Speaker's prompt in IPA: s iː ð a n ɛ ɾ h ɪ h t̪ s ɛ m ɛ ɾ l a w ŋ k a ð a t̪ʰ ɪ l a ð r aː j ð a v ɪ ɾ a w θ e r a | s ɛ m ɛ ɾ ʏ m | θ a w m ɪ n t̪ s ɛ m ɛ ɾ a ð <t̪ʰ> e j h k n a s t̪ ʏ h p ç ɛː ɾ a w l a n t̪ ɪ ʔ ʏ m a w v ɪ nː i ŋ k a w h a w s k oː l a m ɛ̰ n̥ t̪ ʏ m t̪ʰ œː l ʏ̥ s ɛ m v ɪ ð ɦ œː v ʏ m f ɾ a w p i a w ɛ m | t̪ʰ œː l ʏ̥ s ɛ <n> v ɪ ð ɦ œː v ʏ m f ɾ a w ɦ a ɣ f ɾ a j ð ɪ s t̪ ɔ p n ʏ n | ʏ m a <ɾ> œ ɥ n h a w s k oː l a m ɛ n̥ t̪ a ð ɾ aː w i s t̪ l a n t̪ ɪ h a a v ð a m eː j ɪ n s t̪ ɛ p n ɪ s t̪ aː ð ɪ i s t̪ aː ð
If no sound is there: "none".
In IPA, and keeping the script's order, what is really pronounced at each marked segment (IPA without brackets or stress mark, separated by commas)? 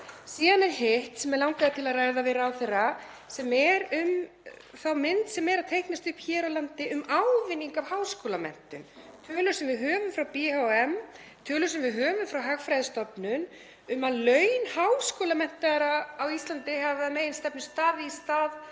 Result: t̪ʰ, m, l